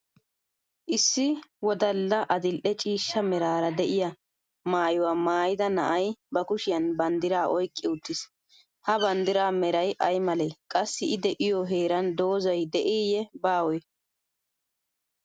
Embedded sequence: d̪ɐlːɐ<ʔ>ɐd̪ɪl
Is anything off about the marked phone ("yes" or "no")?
no